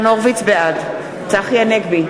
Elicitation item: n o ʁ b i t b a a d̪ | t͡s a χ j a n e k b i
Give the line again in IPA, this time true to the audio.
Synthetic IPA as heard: n o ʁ v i t͡s b e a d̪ | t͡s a χ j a n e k b i